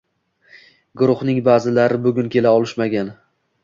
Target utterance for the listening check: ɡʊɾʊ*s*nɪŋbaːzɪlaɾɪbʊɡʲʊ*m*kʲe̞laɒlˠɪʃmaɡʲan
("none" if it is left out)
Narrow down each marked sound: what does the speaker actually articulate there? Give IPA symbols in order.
χ, n

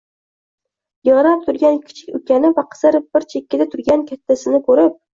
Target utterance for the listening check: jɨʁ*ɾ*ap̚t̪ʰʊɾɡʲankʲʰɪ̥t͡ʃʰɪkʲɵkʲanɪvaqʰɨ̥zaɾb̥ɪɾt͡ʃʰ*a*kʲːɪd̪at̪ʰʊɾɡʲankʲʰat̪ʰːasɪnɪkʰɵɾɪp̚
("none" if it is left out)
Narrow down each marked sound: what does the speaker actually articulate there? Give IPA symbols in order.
ɾ, e

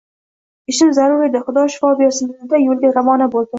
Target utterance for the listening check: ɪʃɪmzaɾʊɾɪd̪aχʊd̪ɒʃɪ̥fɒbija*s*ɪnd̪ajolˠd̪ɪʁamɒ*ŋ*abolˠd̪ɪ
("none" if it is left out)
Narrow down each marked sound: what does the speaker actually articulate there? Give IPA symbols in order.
s, n

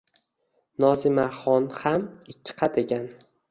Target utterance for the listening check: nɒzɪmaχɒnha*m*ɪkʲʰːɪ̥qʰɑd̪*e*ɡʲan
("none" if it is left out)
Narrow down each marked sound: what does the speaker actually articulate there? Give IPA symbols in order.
m, e

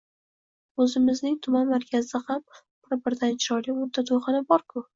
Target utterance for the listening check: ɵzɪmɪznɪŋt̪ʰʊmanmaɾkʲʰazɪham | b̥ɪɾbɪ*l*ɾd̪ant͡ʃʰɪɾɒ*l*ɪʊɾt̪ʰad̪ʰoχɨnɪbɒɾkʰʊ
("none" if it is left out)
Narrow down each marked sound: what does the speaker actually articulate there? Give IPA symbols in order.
none, l

